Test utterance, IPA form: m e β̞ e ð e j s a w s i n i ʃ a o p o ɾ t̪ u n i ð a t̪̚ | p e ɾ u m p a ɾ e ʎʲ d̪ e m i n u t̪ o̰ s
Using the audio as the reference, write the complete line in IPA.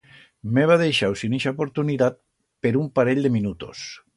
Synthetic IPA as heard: m e β̞ a ð e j ʃ a w s i n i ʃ a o p o ɾ t̪ u n i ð a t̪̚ | p e ɾ u m p a ɾ e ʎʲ d̪ e m i n u t̪ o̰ s